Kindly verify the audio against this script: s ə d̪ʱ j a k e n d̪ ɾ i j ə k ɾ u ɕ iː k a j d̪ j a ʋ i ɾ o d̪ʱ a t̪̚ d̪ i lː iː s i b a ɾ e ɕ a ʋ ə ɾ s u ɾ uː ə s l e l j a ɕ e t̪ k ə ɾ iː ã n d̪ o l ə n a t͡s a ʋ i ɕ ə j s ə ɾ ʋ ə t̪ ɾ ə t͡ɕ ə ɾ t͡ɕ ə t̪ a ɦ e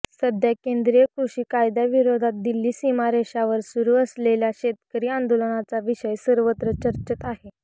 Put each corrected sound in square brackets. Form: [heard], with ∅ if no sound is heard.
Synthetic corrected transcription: s ə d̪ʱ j a k e n d̪ ɾ i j ə k ɾ u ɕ iː k a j d̪ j a ʋ i ɾ o d̪ʱ a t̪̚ d̪ i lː iː s i [m] a ɾ e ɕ a ʋ ə ɾ s u ɾ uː ə s l e l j a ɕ e t̪ k ə ɾ iː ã n d̪ o l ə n a t͡s a ʋ i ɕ ə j s ə ɾ ʋ ə t̪ ɾ ə t͡ɕ ə ɾ t͡ɕ ə t̪ a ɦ e